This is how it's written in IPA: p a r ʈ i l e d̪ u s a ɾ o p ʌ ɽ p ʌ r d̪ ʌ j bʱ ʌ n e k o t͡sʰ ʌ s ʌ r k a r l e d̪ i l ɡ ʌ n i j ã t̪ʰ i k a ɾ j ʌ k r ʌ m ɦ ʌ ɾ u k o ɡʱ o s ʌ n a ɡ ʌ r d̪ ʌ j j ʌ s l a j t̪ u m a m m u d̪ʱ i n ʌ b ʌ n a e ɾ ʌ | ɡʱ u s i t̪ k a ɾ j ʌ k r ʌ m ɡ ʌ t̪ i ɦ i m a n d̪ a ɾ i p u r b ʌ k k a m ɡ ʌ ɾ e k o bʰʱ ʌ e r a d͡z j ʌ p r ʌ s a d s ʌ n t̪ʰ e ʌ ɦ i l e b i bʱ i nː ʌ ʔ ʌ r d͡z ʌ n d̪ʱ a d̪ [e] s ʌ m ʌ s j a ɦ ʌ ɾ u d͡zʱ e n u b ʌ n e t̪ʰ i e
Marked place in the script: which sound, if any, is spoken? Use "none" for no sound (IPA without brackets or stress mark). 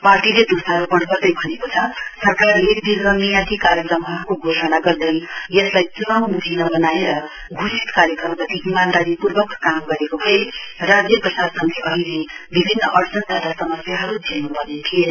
a